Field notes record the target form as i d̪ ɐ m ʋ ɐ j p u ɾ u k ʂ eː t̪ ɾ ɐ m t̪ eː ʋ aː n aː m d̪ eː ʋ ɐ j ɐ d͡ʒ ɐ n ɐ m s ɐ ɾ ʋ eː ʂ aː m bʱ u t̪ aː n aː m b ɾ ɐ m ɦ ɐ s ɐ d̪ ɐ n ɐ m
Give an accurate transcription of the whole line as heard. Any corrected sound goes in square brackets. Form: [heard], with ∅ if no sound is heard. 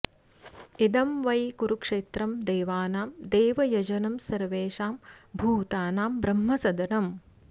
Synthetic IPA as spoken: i d̪ ɐ m ʋ ɐ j [k] u ɾ u k ʂ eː t̪ ɾ ɐ m [d̪] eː ʋ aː n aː m d̪ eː ʋ ɐ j ɐ d͡ʒ ɐ n ɐ m s ɐ ɾ ʋ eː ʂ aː m bʱ [uː] t̪ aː n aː m b ɾ ɐ m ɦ ɐ s ɐ d̪ ɐ n ɐ m